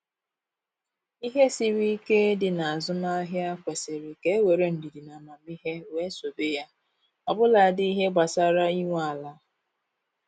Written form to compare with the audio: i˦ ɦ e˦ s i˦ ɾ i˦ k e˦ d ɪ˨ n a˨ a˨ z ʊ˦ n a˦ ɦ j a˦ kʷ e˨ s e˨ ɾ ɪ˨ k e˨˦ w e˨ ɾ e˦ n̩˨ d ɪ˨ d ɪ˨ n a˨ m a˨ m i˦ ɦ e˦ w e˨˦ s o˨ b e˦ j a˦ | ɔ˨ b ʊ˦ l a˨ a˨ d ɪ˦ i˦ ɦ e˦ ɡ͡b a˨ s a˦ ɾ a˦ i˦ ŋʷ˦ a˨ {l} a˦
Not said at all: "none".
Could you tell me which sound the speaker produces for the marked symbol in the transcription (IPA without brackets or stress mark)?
l